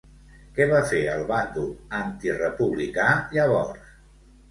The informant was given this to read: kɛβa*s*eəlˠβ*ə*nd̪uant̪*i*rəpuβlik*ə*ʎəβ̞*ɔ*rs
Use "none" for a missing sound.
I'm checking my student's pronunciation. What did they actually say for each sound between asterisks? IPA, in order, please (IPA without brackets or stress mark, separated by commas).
f, a, i, a, ɔ